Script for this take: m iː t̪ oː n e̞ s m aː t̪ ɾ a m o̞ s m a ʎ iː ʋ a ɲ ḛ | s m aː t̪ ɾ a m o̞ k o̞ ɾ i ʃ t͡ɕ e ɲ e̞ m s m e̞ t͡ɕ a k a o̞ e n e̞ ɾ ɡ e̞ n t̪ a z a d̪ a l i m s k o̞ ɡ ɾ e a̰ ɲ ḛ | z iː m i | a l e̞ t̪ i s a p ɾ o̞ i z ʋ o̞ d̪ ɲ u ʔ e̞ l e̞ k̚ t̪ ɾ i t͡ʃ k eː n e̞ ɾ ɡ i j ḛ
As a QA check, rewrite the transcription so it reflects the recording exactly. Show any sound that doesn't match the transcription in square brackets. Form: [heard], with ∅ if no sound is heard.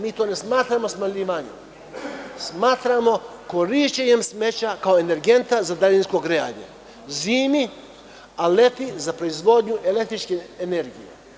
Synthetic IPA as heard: m iː t̪ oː n e̞ s m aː t̪ ɾ a m o̞ s m a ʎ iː ʋ a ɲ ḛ | s m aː t̪ ɾ a m o̞ k o̞ ɾ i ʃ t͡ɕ e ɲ e̞ m s m e̞ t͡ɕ a k a o̞ e n e̞ ɾ ɡ e̞ n t̪ a z a d̪ a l i [n] s k o̞ ɡ ɾ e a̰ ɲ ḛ | z iː m i | a l e̞ t̪ i [z] a p ɾ o̞ i z ʋ o̞ d̪ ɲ u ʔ e̞ l e̞ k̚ t̪ ɾ i t͡ʃ k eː n e̞ ɾ ɡ i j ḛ